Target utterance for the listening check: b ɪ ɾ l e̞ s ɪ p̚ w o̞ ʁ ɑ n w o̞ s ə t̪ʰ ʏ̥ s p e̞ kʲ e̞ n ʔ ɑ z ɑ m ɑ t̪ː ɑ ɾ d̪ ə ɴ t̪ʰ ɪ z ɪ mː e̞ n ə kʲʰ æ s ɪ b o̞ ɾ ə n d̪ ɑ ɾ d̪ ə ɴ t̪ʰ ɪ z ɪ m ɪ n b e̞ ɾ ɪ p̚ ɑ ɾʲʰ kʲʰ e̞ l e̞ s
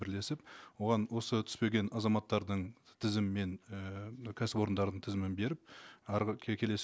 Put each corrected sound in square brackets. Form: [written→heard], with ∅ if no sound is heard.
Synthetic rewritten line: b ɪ ɾ l e̞ s ɪ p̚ w o̞ ʁ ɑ n w o̞ s ə t̪ʰ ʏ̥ s p e̞ [kʲ→ɡʲ] e̞ n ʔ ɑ z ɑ m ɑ t̪ː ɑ ɾ d̪ ə ɴ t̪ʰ ɪ z ɪ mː e̞ n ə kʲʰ æ s ɪ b o̞ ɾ ə n d̪ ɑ ɾ d̪ ə ɴ t̪ʰ ɪ z ɪ m ɪ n b e̞ ɾ ɪ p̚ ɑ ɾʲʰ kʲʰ e̞ l e̞ s